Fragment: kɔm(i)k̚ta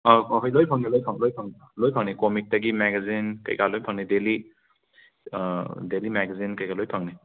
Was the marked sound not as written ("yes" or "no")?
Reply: no